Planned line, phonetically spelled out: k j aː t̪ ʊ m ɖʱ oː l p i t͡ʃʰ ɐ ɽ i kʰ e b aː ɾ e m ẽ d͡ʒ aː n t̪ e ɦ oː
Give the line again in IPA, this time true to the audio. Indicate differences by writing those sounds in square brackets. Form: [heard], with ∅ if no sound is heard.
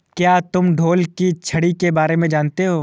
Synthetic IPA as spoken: k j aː t̪ ʊ m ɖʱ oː l [k] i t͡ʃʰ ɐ ɽ i [k] e b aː ɾ e m ẽ d͡ʒ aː n t̪ e ɦ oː